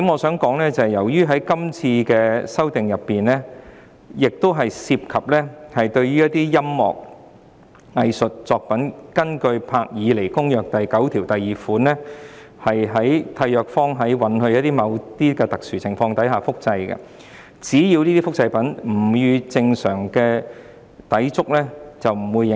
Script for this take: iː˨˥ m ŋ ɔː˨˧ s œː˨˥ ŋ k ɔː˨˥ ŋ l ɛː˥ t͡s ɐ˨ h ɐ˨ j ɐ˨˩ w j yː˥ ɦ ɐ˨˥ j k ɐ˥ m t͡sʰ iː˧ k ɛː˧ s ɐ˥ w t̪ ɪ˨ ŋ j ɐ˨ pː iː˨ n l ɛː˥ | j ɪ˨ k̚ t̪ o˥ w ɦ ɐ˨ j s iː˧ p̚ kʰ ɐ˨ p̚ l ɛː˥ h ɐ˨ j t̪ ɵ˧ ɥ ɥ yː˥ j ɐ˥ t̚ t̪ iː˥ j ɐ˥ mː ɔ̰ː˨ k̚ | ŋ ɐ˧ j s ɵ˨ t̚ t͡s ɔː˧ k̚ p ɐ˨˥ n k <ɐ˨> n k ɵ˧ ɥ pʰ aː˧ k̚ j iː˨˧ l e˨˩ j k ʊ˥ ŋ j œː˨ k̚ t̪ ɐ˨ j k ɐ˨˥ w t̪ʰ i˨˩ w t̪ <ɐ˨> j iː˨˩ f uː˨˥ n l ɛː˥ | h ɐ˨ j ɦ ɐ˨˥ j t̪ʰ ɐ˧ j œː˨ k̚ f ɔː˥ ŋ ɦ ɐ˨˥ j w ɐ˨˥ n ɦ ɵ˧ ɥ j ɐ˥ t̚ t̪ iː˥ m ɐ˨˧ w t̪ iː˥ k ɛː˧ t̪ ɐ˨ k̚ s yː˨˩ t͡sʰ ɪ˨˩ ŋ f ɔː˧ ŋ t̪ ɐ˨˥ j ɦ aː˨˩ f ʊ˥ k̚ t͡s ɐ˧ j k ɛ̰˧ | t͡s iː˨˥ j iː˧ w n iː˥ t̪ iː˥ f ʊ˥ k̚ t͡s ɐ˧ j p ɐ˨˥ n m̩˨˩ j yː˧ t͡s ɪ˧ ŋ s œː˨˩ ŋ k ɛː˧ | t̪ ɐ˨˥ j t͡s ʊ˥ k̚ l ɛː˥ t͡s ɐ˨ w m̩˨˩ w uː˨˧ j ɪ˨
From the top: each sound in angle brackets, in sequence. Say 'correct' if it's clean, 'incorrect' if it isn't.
incorrect: ɐ˥, correct

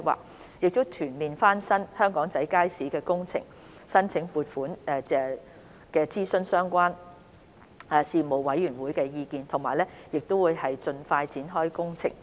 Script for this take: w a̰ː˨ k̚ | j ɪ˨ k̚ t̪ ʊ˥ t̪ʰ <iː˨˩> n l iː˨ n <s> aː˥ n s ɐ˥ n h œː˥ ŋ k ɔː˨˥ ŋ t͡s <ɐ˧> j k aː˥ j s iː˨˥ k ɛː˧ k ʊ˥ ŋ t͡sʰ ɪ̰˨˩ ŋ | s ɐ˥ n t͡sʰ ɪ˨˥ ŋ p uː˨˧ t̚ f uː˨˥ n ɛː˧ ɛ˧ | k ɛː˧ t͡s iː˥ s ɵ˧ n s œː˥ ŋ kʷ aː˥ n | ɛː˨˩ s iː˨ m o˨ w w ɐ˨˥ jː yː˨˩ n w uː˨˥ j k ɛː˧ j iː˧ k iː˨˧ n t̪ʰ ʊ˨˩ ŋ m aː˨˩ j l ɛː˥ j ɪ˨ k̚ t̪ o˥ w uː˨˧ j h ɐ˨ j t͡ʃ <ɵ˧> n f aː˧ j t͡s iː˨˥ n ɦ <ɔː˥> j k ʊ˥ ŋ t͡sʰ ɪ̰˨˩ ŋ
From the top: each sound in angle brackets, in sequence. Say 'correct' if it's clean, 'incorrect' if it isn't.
incorrect: yː˨˩, incorrect: f, incorrect: ɐ˨˥, correct, correct

